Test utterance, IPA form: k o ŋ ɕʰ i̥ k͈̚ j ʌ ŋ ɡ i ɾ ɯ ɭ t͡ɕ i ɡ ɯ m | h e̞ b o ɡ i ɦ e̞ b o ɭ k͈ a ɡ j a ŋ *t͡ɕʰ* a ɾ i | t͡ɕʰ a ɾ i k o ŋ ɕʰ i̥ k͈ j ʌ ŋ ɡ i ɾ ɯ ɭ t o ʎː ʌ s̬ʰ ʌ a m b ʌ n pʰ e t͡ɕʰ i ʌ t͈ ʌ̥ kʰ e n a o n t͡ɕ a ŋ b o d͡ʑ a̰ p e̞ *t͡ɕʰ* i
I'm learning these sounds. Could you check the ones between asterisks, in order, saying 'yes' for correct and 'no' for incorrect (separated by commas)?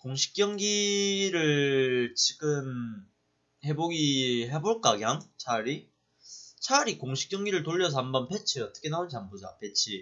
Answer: yes, yes